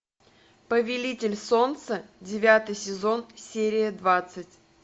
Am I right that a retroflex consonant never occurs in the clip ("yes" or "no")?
yes